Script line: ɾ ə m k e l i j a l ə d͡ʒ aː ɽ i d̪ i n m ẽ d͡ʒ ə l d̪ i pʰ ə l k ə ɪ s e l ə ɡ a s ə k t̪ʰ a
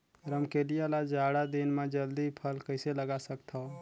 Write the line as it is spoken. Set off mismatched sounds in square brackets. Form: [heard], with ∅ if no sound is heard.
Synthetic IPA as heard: ɾ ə m k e l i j a l [a] d͡ʒ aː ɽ [a] d̪ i n m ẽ d͡ʒ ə l d̪ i pʰ ə l k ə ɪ s e l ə ɡ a s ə k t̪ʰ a